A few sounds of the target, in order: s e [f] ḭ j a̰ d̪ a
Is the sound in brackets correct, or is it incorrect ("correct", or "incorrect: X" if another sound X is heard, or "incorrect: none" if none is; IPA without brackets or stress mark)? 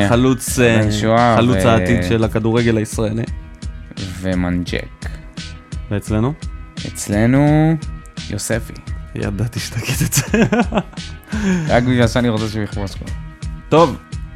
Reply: correct